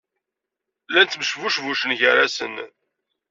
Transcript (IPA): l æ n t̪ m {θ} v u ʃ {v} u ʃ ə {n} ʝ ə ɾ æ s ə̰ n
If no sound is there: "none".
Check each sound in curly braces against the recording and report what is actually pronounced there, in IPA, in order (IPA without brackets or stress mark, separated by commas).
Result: ʃ, v, n